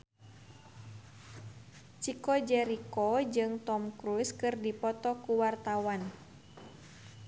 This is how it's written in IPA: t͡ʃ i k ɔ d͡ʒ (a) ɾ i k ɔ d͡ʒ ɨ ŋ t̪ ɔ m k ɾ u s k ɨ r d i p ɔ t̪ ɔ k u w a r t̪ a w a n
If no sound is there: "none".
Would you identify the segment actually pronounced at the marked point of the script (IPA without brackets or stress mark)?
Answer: ɛ